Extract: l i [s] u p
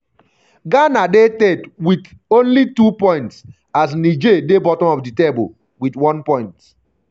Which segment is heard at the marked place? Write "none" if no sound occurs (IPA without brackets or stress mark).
t